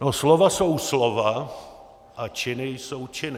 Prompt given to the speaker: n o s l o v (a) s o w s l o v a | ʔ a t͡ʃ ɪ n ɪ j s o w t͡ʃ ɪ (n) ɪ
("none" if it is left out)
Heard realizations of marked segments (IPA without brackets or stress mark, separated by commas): a, n